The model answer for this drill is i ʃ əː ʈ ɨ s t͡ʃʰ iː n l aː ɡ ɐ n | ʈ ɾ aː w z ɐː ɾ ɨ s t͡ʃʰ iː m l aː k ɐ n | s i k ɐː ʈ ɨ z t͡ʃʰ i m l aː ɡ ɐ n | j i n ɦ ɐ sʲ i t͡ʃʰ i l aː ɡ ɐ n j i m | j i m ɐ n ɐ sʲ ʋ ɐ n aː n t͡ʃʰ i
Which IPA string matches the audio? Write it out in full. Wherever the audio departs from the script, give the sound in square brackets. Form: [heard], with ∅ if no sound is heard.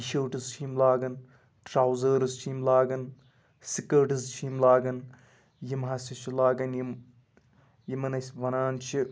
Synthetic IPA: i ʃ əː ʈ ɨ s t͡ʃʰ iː [m] l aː ɡ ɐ n | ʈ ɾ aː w z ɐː ɾ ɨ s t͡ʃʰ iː m l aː [ɡ] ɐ n | s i k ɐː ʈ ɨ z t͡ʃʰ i m l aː ɡ ɐ n | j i [m] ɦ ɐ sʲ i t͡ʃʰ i l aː ɡ ɐ n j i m | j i m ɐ n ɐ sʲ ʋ ɐ n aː n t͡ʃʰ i